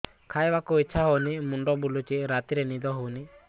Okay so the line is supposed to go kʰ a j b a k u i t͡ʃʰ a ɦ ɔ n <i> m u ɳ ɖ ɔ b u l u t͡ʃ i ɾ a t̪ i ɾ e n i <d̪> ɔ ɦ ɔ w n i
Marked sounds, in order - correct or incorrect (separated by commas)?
correct, correct